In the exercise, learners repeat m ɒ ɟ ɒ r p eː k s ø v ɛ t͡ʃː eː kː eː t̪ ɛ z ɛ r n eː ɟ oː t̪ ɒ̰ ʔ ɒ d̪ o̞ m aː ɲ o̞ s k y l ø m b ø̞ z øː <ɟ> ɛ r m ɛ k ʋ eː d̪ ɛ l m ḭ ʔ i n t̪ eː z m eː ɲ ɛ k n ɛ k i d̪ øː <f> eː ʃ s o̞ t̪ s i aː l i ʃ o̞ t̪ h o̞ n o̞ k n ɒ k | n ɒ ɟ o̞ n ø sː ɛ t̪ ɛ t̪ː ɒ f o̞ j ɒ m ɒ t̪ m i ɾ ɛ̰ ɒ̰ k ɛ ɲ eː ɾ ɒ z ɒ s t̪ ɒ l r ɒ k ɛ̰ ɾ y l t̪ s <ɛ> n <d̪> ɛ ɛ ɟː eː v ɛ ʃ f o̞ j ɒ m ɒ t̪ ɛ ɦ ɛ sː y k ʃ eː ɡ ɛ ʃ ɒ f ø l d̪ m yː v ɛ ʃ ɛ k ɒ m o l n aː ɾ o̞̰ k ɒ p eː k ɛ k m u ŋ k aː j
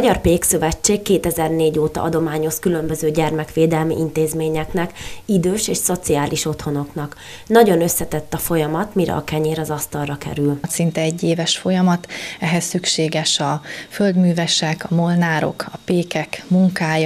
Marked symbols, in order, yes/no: yes, no, no, no

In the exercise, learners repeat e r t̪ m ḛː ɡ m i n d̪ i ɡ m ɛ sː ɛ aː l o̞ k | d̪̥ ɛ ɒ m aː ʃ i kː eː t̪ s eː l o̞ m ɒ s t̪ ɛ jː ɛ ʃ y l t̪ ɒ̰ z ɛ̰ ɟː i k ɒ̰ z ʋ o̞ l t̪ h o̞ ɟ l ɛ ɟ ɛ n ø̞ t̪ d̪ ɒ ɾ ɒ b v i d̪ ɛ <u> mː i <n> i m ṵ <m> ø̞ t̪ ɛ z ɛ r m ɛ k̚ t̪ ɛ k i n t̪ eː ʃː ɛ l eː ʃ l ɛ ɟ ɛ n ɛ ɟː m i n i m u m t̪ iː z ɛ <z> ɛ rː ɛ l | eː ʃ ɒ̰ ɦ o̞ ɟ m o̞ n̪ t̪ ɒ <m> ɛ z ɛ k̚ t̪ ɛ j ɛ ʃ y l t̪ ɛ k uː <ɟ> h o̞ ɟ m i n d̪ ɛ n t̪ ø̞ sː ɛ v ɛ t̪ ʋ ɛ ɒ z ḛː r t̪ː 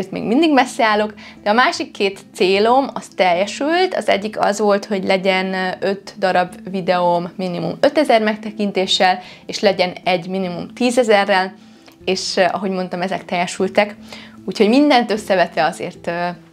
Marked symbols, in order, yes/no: no, yes, yes, yes, yes, no

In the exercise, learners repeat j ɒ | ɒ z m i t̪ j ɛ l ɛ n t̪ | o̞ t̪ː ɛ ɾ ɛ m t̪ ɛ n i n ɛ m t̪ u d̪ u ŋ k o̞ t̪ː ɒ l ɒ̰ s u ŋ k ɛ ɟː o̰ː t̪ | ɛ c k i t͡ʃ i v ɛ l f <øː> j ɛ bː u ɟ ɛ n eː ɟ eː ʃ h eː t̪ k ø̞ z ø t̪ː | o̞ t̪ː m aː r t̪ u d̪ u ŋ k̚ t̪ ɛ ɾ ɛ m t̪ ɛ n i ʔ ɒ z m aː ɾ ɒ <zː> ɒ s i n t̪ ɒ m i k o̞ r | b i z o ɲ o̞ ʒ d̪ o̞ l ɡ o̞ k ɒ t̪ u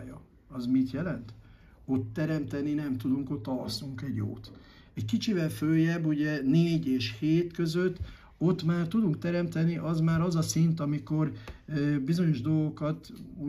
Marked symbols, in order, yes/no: yes, no

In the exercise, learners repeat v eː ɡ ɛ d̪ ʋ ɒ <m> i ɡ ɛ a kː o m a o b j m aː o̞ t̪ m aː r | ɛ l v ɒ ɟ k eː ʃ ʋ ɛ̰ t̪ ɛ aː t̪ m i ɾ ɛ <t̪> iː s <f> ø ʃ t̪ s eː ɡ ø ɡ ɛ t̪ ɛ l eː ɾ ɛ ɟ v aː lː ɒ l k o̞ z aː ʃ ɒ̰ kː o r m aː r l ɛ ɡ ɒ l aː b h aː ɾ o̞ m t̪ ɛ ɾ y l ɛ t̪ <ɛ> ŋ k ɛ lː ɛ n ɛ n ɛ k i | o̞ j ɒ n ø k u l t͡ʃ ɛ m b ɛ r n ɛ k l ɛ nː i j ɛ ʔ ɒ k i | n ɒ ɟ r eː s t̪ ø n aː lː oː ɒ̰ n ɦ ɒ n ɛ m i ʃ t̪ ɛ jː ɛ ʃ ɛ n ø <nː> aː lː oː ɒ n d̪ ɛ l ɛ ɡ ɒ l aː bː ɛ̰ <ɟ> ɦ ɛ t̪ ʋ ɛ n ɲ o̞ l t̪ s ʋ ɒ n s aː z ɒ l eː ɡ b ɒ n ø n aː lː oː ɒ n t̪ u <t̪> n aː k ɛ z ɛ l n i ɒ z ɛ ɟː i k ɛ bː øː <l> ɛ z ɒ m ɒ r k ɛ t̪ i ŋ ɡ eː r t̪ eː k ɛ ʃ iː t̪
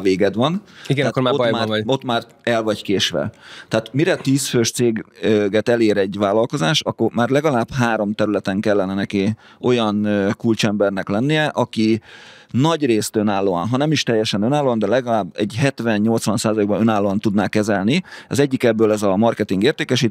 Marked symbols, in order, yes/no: no, yes, yes, yes, no, yes, no, yes

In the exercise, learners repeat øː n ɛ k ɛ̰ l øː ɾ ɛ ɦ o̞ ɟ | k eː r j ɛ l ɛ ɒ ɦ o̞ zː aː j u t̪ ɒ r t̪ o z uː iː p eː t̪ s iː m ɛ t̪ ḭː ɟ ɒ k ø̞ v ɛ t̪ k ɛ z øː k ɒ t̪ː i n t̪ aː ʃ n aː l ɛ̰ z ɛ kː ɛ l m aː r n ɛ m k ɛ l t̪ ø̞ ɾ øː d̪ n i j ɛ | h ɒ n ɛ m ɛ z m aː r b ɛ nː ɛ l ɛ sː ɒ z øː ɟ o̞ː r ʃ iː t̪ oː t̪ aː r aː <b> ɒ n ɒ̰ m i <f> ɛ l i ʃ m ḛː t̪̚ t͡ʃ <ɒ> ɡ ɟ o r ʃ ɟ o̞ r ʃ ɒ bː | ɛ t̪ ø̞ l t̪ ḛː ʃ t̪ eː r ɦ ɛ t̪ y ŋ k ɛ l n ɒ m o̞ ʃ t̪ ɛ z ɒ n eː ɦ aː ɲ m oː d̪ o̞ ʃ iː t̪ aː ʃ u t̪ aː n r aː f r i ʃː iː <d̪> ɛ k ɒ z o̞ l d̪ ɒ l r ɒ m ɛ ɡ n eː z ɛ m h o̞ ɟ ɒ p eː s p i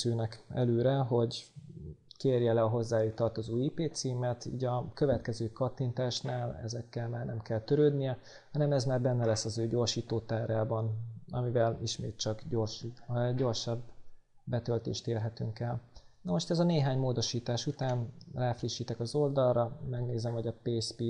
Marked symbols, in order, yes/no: yes, no, yes, no

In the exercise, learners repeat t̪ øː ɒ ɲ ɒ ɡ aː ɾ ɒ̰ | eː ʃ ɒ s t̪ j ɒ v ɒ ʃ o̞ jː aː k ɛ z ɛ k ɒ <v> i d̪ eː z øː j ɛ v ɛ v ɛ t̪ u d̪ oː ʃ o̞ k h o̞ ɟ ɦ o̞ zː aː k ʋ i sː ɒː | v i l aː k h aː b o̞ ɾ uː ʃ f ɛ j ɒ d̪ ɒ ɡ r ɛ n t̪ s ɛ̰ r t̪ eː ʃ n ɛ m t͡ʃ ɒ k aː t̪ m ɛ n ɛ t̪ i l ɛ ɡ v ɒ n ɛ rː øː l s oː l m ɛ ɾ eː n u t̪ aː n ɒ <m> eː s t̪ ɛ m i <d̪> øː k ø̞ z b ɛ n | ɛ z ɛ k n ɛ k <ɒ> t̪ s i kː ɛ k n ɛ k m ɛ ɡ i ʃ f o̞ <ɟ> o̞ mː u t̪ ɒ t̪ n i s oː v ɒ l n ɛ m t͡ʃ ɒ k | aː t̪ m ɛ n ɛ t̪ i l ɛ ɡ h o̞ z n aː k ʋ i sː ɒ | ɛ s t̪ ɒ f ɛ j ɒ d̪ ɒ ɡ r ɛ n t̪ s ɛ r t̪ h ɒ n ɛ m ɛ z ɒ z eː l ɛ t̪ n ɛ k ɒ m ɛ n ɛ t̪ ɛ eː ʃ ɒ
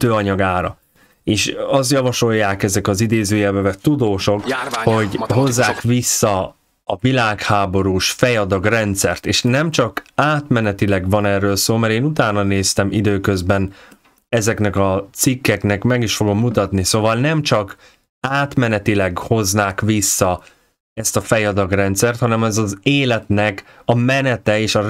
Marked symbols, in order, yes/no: no, no, yes, yes, no

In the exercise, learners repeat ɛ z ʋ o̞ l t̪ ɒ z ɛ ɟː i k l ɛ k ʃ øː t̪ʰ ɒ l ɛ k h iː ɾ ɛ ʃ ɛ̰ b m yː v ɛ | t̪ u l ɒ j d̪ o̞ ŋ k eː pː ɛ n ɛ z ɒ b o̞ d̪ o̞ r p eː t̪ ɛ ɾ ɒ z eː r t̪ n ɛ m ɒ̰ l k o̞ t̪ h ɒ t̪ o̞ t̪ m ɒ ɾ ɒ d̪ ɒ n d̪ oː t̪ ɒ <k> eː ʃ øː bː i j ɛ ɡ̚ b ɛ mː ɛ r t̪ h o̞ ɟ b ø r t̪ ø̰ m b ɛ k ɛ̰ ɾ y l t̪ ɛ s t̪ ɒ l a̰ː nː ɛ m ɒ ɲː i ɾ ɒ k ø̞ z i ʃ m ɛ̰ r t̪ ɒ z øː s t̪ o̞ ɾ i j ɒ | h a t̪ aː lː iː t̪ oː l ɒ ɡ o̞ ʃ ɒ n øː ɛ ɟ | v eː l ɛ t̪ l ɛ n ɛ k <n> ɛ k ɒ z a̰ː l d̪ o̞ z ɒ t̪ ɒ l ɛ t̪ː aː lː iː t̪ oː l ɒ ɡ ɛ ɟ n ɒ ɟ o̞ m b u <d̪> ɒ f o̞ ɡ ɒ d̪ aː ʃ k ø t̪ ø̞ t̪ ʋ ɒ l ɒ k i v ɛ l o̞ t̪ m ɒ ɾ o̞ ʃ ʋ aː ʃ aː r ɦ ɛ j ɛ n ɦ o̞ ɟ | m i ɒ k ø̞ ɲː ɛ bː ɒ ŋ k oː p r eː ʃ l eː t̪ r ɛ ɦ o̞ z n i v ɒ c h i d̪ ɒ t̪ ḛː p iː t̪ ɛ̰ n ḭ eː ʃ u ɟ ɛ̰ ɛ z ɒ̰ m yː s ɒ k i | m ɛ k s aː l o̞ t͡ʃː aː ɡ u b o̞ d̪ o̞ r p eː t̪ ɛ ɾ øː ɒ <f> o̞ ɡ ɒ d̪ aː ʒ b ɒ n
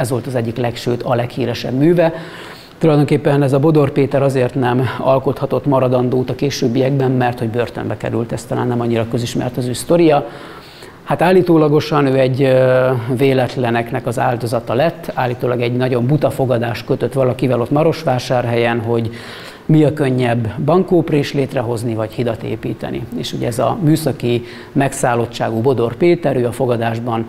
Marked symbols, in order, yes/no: yes, yes, no, yes

